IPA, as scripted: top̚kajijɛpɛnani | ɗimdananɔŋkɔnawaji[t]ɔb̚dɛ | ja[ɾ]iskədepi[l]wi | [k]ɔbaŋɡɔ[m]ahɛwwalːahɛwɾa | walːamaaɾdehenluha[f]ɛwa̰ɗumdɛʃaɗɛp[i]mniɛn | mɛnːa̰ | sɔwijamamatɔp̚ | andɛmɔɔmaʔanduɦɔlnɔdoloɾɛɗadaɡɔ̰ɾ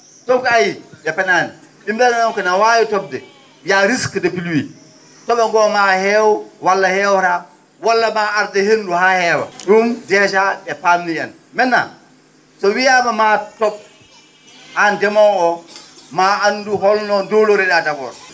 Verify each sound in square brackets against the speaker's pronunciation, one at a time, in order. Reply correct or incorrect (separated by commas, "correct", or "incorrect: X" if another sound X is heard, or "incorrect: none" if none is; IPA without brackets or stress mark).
correct, correct, correct, incorrect: t, correct, incorrect: h, incorrect: a